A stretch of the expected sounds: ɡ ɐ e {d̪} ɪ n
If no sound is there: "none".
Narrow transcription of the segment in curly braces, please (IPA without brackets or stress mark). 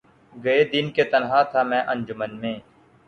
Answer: d̪